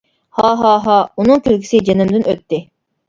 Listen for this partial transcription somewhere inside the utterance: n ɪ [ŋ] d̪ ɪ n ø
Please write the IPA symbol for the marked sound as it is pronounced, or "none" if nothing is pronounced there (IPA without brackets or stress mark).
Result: m